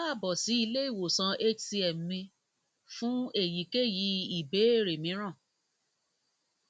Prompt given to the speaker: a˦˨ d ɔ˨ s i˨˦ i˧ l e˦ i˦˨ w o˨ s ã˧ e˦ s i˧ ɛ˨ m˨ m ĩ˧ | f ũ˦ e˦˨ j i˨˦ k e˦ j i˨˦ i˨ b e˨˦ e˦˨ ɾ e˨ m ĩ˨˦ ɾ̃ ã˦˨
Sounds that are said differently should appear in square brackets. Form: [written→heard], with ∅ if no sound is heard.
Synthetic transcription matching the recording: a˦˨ [d→b] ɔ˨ s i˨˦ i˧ l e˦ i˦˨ w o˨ s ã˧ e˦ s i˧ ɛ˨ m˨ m ĩ˧ | f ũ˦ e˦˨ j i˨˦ k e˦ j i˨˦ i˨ b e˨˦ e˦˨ ɾ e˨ m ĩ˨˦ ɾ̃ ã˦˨